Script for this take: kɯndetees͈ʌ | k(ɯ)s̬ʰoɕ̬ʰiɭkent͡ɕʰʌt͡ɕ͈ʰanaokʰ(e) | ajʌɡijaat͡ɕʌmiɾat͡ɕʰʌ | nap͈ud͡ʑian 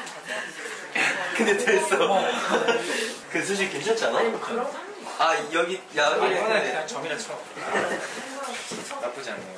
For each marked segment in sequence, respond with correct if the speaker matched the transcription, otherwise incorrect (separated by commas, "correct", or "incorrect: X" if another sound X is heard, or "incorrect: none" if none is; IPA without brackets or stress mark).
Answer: correct, incorrect: a